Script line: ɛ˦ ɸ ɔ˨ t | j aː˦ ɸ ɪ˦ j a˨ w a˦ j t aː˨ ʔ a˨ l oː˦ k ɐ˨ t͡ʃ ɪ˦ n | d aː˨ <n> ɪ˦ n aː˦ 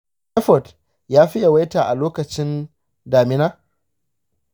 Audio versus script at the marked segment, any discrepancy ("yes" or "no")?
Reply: yes